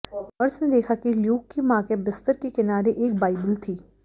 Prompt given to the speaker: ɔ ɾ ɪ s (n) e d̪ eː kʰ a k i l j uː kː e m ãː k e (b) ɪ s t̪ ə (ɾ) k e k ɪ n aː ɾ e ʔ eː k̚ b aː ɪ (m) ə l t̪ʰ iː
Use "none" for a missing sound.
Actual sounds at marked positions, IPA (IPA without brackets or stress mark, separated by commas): n, b, ɾ, b